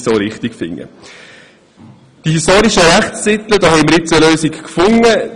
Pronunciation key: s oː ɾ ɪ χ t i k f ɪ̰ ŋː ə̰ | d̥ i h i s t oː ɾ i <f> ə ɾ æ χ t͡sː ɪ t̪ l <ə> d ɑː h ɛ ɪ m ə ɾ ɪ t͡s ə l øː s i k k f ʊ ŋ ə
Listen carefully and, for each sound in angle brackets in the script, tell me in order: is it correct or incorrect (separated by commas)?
incorrect, correct